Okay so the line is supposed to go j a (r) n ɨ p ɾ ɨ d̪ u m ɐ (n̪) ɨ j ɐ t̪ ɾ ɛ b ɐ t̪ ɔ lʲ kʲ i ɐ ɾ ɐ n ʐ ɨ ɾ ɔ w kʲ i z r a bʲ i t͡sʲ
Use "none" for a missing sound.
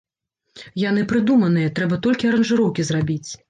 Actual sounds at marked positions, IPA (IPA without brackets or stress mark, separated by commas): none, n̪